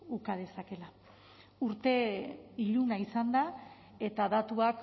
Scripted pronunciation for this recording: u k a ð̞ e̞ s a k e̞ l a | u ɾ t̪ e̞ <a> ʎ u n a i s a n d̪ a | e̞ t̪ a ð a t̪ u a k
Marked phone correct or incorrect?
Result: incorrect